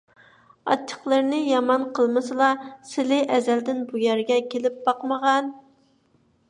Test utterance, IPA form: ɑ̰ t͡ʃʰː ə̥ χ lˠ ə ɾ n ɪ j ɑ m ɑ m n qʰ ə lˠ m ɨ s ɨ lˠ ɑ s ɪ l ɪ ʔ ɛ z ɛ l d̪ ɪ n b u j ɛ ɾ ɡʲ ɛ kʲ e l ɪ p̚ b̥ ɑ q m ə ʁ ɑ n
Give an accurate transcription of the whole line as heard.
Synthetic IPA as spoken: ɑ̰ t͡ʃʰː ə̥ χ lˠ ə ɾ n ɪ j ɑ m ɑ n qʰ ə lˠ m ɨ s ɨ lˠ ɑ s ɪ l ɪ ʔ ɛ z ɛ l d̪ ɪ n b u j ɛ ɾ ɡʲ ɛ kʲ e l ɪ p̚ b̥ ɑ q m ə ʁ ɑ n